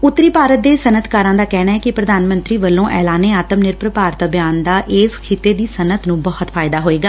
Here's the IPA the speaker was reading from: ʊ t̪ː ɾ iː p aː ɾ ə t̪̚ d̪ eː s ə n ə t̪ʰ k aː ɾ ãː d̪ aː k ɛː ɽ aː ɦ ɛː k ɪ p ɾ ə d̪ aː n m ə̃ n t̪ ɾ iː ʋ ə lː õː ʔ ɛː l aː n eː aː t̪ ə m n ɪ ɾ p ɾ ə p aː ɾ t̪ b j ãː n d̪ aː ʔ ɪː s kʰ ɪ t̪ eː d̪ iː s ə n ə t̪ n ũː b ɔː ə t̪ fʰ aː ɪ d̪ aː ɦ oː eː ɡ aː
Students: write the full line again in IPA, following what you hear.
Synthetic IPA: ʊ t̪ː ɾ iː p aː ɾ ə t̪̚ d̪ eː s ə n ə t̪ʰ k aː ɾ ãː d̪ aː k ɛː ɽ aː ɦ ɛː k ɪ p ɾ ə d̪ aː n m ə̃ n t̪ ɾ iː ʋ ə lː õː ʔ ɛː l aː n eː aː t̪ ə m n ɪ ɾ p ɾ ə p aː ɾ t̪ b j aː n d̪ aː ʔ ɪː s kʰ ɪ t̪ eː d̪ iː s ə n ə t̪ n ũː b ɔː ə t̪ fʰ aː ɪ d̪ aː ɦ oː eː ɡ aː